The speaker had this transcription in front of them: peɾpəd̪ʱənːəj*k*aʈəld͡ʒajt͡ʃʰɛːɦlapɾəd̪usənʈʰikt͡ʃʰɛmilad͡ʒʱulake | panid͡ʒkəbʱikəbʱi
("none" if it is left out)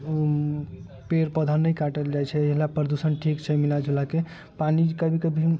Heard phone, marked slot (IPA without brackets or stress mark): k